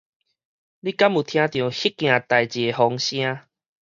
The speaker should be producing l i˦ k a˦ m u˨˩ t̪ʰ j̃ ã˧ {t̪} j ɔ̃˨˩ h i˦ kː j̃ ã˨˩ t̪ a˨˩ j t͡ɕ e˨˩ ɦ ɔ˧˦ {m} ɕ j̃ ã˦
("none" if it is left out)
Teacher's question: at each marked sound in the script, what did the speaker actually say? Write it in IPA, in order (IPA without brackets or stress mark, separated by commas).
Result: t̪, ŋ